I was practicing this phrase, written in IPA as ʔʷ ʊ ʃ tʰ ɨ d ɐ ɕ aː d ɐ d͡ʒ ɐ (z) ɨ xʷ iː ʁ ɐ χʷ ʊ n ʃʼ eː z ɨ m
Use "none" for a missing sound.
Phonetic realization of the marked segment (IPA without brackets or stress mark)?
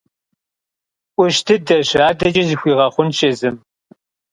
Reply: z